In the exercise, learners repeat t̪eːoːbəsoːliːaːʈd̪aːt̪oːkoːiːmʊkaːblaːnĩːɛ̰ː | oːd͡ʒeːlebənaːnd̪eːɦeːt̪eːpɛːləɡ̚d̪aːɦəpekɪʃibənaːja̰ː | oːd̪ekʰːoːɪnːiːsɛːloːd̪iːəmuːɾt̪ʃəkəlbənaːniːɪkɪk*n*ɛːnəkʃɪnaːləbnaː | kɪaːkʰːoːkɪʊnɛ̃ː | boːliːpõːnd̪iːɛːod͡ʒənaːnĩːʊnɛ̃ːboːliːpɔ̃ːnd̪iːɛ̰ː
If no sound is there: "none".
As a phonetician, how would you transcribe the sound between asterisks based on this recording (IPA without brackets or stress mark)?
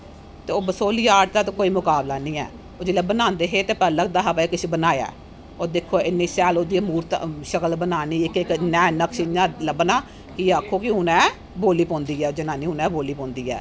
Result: n